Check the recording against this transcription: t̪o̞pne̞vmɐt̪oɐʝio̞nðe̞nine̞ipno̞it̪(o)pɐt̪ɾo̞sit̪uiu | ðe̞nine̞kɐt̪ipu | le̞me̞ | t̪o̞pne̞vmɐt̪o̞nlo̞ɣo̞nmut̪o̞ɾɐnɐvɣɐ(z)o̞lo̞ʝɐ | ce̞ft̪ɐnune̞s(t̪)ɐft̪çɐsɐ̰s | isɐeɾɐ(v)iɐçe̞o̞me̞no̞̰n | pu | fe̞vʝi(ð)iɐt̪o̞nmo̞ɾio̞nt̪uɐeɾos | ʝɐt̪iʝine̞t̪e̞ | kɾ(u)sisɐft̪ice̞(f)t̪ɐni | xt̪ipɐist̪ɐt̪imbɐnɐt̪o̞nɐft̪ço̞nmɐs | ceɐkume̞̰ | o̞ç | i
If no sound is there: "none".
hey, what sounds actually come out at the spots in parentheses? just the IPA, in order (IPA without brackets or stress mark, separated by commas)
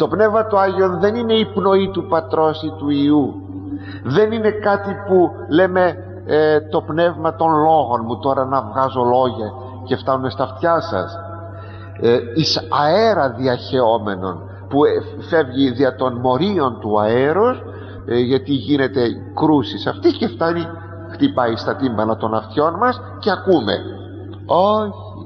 u, z, t̪, ð, ð, u, f